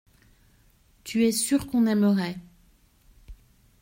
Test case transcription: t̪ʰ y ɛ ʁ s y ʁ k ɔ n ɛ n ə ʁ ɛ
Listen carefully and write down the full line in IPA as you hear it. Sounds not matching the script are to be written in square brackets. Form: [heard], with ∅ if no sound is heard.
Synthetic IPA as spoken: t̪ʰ y ɛ [∅] s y ʁ k [ɔ̃] n ɛ [m] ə ʁ ɛ